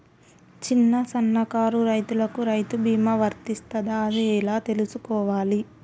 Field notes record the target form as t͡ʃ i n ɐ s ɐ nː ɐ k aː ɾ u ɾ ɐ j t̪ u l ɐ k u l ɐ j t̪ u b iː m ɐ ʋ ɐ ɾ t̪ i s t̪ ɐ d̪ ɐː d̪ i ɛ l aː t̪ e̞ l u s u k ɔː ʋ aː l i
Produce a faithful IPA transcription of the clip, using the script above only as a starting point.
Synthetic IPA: t͡ʃ i nː ɐ s ɐ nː ɐ k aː ɾ u ɾ ɐ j t̪ u l ɐ k u ɾ ɐ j t̪ u b iː m ɐ ʋ ɐ ɾ t̪ i s t̪ ɐ d̪ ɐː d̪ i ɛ l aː t̪ e̞ l u s u k ɔː ʋ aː l i